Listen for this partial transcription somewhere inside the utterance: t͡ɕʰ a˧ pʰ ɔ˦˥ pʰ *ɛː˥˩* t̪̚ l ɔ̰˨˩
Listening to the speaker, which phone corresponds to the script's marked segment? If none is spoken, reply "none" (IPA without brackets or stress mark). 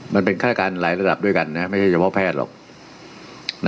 ɛː˥˩